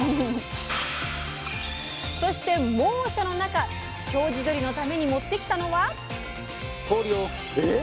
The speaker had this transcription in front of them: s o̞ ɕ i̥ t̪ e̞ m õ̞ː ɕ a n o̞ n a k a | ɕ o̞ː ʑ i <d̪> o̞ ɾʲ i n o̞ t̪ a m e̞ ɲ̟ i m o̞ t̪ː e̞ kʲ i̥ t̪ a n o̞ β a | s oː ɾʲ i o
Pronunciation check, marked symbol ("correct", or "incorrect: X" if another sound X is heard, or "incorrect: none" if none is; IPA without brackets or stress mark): correct